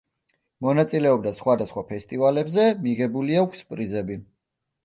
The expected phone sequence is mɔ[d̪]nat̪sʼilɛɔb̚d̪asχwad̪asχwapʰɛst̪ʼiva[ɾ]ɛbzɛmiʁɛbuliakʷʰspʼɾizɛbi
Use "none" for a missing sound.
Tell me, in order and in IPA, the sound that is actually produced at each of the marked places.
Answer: none, l

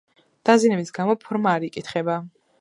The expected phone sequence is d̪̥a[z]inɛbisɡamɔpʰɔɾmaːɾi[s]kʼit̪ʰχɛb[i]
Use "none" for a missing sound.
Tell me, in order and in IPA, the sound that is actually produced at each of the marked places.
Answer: z, none, a

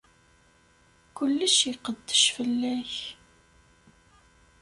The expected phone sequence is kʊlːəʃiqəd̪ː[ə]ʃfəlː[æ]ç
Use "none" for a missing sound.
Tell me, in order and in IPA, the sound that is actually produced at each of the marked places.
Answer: ə, æ

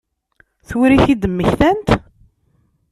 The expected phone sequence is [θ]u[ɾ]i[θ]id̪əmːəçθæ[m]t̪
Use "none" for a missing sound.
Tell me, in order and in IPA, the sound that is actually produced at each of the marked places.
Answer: θ, ɾ, θ, n

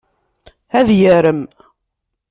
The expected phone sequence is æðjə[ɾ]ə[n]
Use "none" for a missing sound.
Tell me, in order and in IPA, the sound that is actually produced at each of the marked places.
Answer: ɾ, m

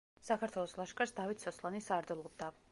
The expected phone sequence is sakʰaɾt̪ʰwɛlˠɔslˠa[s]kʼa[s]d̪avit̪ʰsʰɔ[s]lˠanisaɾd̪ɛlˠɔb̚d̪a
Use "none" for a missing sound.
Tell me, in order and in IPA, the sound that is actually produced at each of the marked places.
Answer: ʃ, s, s

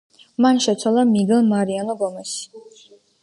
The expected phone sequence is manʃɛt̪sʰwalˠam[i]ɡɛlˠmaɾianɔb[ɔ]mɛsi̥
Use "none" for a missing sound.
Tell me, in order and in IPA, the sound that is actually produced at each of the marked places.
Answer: i, ɔ

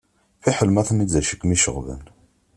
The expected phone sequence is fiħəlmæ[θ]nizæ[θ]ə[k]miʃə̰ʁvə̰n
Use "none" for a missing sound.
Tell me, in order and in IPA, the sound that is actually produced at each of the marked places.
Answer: θ, ʃ, k

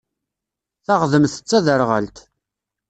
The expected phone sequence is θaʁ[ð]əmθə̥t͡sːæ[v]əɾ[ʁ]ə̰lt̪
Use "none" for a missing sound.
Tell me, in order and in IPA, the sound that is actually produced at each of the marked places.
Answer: ð, ð, ʁ

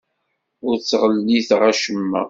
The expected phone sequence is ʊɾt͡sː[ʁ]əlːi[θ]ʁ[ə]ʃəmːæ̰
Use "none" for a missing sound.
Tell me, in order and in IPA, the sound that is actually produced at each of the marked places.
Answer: ʁ, θ, a

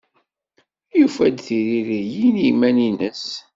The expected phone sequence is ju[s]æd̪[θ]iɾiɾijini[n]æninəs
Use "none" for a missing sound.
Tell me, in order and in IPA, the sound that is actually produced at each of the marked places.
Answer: f, θ, m

